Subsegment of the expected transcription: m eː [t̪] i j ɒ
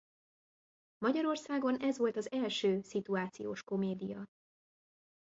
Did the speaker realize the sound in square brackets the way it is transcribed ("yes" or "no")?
no